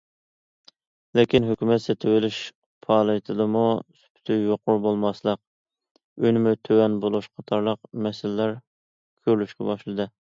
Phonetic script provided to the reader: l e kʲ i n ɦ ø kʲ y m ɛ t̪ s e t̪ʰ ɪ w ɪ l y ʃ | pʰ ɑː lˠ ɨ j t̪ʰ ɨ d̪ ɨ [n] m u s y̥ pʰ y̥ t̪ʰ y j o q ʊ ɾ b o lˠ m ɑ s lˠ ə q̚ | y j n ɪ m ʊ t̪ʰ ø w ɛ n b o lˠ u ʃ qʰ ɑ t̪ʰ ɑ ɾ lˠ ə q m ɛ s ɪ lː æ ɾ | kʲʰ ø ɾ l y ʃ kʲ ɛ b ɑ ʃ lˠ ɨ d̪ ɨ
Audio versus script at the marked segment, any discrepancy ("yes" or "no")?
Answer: yes